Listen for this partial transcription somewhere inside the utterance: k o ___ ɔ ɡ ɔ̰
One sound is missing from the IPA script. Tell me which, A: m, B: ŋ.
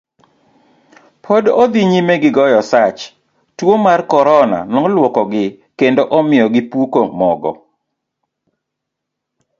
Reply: A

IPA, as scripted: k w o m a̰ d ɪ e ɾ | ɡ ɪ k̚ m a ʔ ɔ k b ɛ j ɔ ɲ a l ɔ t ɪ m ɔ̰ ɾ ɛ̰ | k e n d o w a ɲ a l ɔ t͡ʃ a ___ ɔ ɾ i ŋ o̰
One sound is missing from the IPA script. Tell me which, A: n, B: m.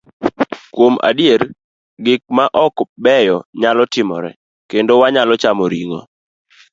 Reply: B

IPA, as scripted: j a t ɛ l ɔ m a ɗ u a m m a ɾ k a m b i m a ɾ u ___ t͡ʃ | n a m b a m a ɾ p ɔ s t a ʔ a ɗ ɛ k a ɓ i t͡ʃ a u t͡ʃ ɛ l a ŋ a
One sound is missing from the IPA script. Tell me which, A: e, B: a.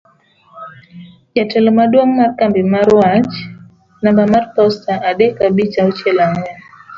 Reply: B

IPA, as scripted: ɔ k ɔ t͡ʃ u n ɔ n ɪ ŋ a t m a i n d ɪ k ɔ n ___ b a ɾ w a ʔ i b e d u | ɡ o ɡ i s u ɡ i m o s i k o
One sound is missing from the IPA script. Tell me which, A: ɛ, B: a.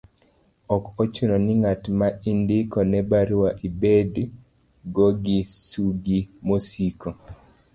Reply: A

